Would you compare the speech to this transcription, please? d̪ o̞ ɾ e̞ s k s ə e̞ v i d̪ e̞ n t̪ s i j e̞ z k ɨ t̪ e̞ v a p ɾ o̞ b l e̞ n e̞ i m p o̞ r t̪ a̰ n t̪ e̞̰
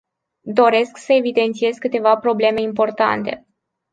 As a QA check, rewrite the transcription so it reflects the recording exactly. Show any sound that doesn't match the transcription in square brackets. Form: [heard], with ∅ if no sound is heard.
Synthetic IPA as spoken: d̪ o̞ ɾ e̞ s k s ə e̞ v i d̪ e̞ n t̪ s i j e̞ z k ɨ t̪ e̞ v a p ɾ o̞ b l e̞ [m] e̞ i m p o̞ r t̪ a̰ n t̪ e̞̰